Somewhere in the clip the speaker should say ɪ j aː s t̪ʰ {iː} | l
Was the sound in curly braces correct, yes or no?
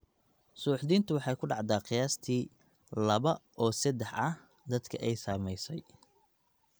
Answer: yes